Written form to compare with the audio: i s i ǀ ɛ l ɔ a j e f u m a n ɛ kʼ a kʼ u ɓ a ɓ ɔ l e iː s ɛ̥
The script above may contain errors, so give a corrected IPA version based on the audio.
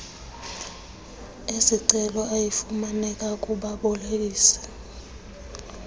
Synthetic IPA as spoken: e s i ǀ ɛ l ɔ a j i f u m a n ɛ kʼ a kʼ u ɓ a ɓ ɔ l e iː s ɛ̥